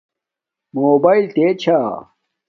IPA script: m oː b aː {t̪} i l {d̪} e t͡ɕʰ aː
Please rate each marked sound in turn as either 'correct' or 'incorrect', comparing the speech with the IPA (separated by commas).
incorrect, incorrect